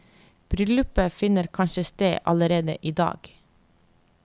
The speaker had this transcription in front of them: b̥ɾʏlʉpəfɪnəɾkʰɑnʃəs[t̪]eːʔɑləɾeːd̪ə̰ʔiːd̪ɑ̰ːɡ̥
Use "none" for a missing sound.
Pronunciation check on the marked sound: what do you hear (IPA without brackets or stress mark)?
t̪